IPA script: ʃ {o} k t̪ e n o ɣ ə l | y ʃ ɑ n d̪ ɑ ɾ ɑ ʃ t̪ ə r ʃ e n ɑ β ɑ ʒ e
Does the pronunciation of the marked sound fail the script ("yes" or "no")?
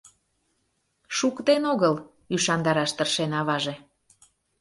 yes